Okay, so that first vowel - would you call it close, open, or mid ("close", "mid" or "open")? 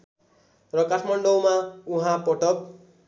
mid